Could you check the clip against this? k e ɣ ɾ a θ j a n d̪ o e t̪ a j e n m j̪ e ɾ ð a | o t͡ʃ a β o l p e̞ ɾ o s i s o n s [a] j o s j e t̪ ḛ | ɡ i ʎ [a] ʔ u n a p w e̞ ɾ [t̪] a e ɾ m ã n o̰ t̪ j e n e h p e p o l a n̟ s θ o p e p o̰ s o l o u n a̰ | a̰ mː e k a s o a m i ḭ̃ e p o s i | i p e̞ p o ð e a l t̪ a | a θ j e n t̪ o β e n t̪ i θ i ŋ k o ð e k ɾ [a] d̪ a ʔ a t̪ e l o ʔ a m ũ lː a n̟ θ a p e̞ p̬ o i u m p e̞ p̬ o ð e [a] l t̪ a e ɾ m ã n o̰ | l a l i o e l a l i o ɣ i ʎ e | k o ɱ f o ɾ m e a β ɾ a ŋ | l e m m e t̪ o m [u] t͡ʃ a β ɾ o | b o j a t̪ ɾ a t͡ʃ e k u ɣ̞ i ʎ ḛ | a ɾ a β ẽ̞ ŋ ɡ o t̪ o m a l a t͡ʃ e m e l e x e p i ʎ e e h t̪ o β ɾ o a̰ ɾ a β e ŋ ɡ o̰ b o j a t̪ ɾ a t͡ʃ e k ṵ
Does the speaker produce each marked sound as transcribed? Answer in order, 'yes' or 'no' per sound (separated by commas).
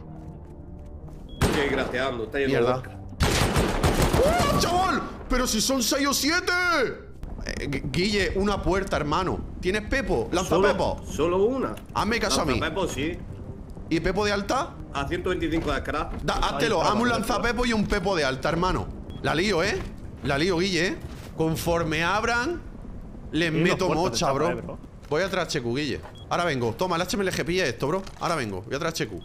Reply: no, no, yes, yes, yes, no